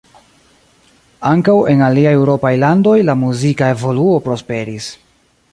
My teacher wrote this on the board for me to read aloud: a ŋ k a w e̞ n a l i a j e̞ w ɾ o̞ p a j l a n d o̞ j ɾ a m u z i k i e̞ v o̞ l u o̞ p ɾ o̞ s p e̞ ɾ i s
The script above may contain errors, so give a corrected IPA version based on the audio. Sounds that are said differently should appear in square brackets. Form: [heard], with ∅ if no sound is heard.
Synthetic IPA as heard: a ŋ k a w e̞ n a l i a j e̞ w ɾ o̞ p a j l a n d o̞ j [l] a m u z i k [a] e̞ v o̞ l u o̞ p ɾ o̞ s p e̞ ɾ i s